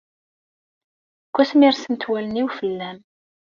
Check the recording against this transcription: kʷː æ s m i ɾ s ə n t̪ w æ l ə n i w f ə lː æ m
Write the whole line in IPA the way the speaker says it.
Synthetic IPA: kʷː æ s m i ɾ s ə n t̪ w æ l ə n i w f ə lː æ m